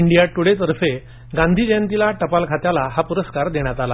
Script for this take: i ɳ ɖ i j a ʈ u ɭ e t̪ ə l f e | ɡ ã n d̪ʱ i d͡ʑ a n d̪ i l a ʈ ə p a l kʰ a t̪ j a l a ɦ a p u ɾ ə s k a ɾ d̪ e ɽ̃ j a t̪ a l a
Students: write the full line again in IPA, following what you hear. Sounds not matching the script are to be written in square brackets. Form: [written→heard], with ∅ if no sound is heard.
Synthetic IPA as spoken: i ɳ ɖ i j a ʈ u [ɭ→ɽ] e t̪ ə [l→ɾ] f e | ɡ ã n d̪ʱ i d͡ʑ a n [d̪→t̪] i l a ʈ ə p a l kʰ a t̪ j a l a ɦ a p u ɾ ə s k a ɾ d̪ e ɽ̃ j a t̪ a l a

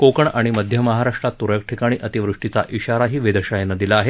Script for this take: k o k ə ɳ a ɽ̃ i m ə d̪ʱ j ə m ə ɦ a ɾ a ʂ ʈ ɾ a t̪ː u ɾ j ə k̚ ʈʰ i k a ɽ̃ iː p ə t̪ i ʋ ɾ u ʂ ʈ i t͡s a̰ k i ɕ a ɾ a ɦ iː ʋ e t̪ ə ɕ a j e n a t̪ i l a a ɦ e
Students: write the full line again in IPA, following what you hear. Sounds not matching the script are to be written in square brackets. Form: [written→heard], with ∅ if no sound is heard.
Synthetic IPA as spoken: k o k ə ɳ a ɽ̃ i m ə d̪ʱ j ə m ə ɦ a ɾ a ʂ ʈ ɾ a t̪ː u ɾ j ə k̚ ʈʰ i k a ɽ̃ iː [p→ʔ] ə t̪ i ʋ ɾ u ʂ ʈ i t͡s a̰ [k→ʔ] i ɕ a ɾ a ɦ iː ʋ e [t̪→d̪] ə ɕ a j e n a [t̪→d̪] i l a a ɦ e

